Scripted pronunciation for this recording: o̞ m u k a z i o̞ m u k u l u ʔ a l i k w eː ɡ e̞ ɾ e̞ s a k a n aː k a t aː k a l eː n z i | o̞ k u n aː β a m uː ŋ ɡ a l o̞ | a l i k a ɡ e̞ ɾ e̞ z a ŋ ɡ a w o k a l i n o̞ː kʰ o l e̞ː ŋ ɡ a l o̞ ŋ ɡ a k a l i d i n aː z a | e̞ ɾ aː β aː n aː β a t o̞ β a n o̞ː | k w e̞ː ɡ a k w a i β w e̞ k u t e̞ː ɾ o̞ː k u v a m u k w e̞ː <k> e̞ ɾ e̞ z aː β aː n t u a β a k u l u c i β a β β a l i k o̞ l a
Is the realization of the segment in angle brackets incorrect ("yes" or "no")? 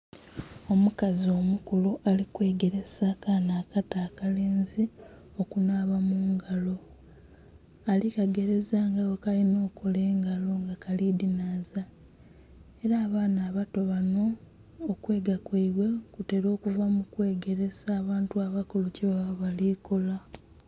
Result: yes